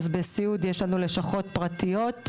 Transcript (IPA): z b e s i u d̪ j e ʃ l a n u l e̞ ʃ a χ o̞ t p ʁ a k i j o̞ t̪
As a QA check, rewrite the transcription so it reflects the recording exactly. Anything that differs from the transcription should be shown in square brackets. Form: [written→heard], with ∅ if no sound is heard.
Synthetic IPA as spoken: z b e s i u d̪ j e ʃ l a n u l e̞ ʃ a χ o̞ t p ʁ a [k→t] i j o̞ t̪